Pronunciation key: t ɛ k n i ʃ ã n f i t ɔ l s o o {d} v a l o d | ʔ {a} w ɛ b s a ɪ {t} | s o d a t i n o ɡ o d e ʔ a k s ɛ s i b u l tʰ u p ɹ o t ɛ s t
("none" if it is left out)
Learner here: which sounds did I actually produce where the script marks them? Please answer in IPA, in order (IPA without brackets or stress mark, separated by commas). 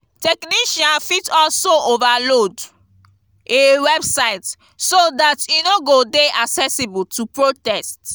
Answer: none, e, t